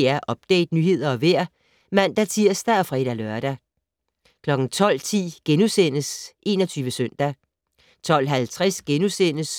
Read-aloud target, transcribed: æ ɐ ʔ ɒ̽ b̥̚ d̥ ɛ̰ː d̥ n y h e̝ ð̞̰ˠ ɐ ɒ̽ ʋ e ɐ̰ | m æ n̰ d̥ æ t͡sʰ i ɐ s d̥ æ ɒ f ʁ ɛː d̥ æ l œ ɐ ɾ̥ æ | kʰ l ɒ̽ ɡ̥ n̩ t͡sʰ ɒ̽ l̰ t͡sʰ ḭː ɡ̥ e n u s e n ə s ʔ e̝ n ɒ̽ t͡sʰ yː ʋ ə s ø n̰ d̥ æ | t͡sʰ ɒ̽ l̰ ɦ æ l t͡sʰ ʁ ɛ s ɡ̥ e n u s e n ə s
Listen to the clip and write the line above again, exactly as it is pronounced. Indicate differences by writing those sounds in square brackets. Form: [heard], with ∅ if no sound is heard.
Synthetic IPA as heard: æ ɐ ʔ ɒ̽ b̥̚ d̥ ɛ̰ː d̥ n y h e̝ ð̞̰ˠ ɐ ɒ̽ ʋ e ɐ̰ | m æ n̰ d̥ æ t͡sʰ i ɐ s d̥ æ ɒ f ʁ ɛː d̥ æ l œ ɐ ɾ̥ æ | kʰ l ɒ̽ ɡ̥ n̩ t͡sʰ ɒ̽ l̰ t͡sʰ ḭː ɡ̥ e n u s e n ə s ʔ e̝ n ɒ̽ t͡sʰ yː ʋ ə s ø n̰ d̥ æ | t͡sʰ ɒ̽ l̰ ɦ æ l t͡sʰ ʁ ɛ s ɡ̥ e n u s e n ə s

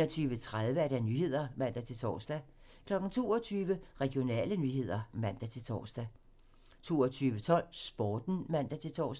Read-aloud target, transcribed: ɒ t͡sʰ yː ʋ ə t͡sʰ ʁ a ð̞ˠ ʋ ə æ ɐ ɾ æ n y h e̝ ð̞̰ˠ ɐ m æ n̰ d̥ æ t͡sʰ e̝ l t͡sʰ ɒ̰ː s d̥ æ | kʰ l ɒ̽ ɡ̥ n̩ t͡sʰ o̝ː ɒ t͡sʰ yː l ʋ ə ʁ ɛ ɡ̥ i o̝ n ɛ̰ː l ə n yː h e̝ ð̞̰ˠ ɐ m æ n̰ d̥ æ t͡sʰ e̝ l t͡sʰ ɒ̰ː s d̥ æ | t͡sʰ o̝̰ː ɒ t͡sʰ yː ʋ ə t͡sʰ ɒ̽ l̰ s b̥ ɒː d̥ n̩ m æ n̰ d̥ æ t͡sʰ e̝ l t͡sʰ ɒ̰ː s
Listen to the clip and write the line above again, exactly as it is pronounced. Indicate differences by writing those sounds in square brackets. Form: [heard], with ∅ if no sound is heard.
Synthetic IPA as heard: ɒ t͡sʰ yː ʋ ə t͡sʰ ʁ a ð̞ˠ ʋ ə æ ɐ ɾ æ n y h e̝ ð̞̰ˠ ɐ m æ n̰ d̥ æ t͡sʰ e̝ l t͡sʰ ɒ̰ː s d̥ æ | kʰ l ɒ̽ ɡ̥ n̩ t͡sʰ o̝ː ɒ t͡sʰ yː [∅] ʋ ə ʁ ɛ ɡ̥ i o̝ n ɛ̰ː l ə n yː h e̝ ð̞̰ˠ ɐ m æ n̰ d̥ æ t͡sʰ e̝ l t͡sʰ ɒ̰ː s d̥ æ | t͡sʰ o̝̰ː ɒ t͡sʰ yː ʋ ə t͡sʰ ɒ̽ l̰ s b̥ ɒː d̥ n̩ m æ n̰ d̥ æ t͡sʰ e̝ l t͡sʰ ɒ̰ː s

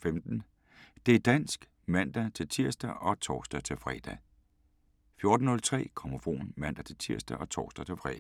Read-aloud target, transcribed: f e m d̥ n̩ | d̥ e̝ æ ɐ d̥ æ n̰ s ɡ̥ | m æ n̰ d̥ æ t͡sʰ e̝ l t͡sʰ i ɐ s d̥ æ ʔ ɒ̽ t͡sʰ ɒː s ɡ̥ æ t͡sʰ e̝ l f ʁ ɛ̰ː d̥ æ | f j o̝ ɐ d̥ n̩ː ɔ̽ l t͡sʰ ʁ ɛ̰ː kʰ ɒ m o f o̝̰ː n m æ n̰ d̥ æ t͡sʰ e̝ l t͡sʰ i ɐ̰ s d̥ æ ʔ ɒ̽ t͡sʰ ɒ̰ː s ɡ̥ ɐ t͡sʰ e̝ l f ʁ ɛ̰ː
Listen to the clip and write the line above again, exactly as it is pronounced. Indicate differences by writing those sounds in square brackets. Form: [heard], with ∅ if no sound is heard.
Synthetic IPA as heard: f e m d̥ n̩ | d̥ e̝ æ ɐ d̥ æ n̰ s ɡ̥ | m æ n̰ d̥ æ t͡sʰ e̝ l t͡sʰ i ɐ s d̥ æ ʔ ɒ̽ t͡sʰ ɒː s [d̥] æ t͡sʰ e̝ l f ʁ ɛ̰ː d̥ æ | f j o̝ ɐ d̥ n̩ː ɔ̽ l t͡sʰ ʁ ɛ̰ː kʰ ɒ m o f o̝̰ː n m æ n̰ d̥ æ t͡sʰ e̝ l t͡sʰ i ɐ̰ s d̥ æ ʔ ɒ̽ t͡sʰ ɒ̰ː s [d̥] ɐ t͡sʰ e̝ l f ʁ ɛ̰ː

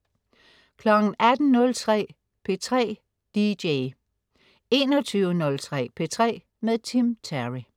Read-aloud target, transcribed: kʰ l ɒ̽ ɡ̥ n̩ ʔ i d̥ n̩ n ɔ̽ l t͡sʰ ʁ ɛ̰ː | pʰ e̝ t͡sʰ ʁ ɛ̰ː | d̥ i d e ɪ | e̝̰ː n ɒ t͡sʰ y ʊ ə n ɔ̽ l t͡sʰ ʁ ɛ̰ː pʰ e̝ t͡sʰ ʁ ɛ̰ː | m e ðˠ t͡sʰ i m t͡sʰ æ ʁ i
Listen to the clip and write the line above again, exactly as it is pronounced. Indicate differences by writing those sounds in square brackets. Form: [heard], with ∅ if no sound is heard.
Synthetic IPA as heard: kʰ l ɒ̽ ɡ̥ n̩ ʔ [æ] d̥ n̩ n ɔ̽ l t͡sʰ ʁ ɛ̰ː | pʰ e̝ t͡sʰ ʁ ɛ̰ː | d̥ i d e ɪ | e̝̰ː n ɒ t͡sʰ y ʊ ə n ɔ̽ l t͡sʰ ʁ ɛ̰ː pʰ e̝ t͡sʰ ʁ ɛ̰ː | m e ðˠ t͡sʰ i m t͡sʰ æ ʁ i

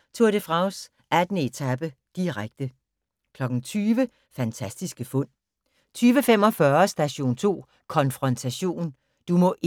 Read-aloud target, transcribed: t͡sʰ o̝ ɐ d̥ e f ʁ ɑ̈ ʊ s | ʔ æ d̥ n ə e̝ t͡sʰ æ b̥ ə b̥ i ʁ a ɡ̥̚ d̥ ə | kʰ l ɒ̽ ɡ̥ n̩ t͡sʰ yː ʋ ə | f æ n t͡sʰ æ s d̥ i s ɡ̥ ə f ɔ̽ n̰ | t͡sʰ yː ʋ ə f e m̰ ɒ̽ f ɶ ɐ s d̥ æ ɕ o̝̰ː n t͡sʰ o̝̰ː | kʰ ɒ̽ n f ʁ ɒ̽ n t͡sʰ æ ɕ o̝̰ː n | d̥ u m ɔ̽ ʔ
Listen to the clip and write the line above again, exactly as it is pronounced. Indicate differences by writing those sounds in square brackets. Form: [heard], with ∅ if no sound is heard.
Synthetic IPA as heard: t͡sʰ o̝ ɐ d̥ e f ʁ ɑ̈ ʊ s | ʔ æ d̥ n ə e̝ t͡sʰ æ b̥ ə [d̥] i ʁ a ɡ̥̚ d̥ ə | kʰ l ɒ̽ ɡ̥ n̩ t͡sʰ yː ʋ ə | f æ n t͡sʰ æ s d̥ i s ɡ̥ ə f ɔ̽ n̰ | t͡sʰ yː ʋ ə f e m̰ ɒ̽ f ɶ ɐ s d̥ æ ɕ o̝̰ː n t͡sʰ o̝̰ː | kʰ ɒ̽ n f ʁ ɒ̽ n t͡sʰ æ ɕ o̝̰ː n | d̥ u m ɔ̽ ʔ

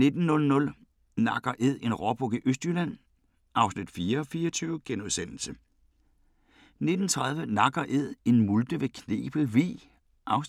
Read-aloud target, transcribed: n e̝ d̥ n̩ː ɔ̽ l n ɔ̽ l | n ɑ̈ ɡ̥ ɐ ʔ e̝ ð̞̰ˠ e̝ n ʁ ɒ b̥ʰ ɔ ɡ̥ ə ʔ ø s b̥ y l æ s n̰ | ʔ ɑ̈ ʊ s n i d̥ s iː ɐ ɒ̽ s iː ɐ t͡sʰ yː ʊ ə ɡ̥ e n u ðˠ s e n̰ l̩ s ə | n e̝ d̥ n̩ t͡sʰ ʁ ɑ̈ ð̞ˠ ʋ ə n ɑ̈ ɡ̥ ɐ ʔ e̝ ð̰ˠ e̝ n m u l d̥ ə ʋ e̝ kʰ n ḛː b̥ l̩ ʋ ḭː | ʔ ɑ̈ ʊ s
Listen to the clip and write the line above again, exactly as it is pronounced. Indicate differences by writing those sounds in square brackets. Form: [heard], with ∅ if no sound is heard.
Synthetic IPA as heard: n e̝ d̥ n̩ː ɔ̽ l n ɔ̽ l | n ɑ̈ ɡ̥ ɐ ʔ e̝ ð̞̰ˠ e̝ n ʁ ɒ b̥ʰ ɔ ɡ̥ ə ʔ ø s [d̥] y l æ [∅] n̰ | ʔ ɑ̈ ʊ s n i d̥ [f] iː ɐ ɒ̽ [f] iː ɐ t͡sʰ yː ʊ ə ɡ̥ e n u ðˠ s e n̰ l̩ s ə | n e̝ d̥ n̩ t͡sʰ ʁ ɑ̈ ð̞ˠ ʋ ə n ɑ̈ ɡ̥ ɐ ʔ e̝ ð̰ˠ e̝ n m u l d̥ ə ʋ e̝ kʰ n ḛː b̥ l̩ ʋ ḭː | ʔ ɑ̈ ʊ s

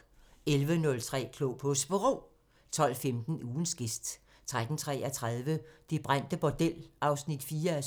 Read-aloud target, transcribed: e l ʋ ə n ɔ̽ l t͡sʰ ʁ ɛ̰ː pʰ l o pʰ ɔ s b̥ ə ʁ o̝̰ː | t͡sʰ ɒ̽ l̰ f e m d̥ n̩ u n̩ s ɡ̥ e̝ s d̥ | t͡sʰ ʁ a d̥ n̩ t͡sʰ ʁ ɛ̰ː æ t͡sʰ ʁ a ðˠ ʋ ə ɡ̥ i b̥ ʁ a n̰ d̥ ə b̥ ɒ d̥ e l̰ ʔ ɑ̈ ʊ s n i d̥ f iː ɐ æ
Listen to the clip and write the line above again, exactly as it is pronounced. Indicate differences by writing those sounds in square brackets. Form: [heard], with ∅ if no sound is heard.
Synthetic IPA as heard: e l ʋ ə n ɔ̽ l t͡sʰ ʁ ɛ̰ː [kʰ] l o pʰ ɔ s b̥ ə ʁ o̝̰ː | t͡sʰ ɒ̽ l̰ f e m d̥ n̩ [uː] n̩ s ɡ̥ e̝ s d̥ | t͡sʰ ʁ a d̥ n̩ t͡sʰ ʁ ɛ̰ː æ t͡sʰ ʁ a ðˠ ʋ ə [d̥] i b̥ ʁ a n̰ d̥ ə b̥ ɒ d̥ e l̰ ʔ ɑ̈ ʊ s n i d̥ f iː ɐ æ

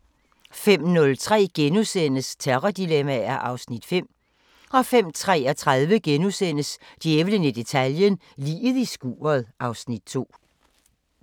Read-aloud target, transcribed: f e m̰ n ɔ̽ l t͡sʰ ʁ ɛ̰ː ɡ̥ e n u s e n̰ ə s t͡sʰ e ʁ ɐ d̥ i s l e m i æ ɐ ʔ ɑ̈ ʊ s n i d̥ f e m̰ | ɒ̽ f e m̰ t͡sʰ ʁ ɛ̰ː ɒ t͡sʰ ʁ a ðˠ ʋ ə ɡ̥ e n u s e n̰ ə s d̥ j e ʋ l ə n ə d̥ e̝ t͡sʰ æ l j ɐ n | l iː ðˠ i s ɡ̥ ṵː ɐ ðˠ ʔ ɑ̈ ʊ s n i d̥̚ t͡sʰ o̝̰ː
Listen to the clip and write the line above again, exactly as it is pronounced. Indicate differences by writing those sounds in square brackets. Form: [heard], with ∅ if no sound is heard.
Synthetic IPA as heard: f e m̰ n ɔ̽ l t͡sʰ ʁ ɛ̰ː ɡ̥ e n u s e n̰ ə s t͡sʰ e ʁ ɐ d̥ i [∅] l e m [æ] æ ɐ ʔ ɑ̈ ʊ s n i d̥ f e m̰ | ɒ̽ f e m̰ t͡sʰ ʁ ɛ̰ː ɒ t͡sʰ ʁ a ðˠ ʋ ə ɡ̥ e n u s e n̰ ə s d̥ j e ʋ l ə n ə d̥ e̝ t͡sʰ æ l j [ə] n | l iː ðˠ i s ɡ̥ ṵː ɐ ðˠ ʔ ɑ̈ ʊ s n i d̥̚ t͡sʰ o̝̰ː

